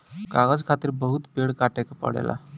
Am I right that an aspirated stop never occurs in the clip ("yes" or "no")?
no